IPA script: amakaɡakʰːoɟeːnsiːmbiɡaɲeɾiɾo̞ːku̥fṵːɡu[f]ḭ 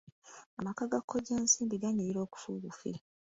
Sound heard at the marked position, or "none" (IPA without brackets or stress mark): f